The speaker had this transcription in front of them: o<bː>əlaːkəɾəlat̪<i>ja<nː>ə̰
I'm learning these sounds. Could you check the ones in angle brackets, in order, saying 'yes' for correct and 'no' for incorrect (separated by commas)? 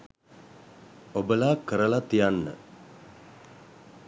no, yes, yes